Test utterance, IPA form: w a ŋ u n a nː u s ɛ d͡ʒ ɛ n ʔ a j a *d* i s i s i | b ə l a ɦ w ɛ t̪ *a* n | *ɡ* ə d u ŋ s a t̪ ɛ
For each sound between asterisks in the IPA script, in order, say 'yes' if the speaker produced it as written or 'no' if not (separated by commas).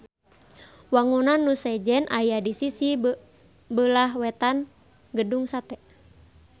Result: yes, yes, yes